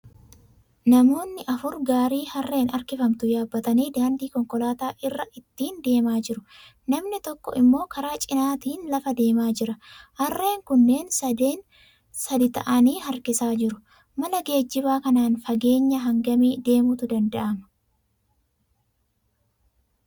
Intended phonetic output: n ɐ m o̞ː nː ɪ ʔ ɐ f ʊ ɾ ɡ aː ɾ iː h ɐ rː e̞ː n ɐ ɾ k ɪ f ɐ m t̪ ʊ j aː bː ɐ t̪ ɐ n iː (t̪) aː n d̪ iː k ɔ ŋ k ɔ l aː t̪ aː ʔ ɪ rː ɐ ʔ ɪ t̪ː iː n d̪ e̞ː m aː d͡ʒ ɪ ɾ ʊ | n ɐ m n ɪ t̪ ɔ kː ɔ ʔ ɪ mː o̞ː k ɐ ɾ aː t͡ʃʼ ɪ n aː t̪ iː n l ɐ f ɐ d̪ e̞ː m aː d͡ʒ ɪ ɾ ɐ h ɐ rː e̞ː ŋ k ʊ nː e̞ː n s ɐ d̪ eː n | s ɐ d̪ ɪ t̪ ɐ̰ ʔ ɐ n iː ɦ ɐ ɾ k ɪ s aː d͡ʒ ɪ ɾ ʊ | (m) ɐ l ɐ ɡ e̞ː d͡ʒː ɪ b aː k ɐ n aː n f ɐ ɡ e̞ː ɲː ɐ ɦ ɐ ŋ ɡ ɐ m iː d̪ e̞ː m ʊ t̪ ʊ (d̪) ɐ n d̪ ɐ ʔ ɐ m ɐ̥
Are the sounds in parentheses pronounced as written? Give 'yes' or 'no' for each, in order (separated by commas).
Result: no, yes, yes